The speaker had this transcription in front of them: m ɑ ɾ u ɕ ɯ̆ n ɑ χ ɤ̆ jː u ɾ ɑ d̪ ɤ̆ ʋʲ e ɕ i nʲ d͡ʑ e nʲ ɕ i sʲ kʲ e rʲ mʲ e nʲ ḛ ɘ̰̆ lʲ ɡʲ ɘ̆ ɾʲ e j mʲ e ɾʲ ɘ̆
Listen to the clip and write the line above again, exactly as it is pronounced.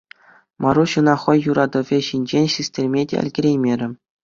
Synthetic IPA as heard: m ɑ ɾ u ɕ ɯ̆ n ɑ χ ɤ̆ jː u ɾ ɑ d̪ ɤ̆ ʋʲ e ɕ i nʲ d͡ʑ e nʲ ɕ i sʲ tʲ e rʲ mʲ e dʲ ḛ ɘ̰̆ lʲ ɡʲ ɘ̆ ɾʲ e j mʲ e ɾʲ ɘ̆